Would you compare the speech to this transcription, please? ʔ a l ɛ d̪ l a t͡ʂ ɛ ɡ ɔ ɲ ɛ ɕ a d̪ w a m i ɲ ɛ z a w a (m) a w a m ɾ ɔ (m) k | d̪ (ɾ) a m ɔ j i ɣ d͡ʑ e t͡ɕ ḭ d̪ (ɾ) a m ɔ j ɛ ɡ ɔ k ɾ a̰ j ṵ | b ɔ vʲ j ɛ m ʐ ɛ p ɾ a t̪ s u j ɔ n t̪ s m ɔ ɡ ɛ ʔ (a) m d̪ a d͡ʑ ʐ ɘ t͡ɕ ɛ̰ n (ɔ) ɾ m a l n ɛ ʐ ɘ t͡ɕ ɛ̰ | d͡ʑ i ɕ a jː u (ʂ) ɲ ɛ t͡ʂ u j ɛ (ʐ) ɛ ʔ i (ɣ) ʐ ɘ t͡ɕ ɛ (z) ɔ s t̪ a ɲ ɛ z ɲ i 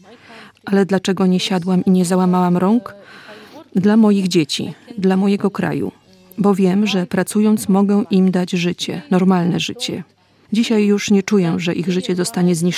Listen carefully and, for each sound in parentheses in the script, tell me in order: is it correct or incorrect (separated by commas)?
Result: correct, incorrect, incorrect, incorrect, incorrect, correct, correct, correct, correct, correct